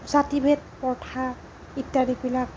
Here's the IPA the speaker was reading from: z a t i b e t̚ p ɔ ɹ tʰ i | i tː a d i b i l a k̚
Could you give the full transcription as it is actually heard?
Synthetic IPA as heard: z a t i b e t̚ p ɔ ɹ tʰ a | i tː a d i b i l a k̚